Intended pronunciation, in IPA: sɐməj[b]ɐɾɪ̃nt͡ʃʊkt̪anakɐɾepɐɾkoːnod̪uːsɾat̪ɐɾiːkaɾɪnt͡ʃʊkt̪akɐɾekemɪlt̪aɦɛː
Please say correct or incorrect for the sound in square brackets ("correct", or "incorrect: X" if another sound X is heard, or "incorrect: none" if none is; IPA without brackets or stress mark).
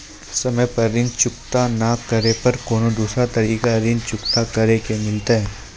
incorrect: p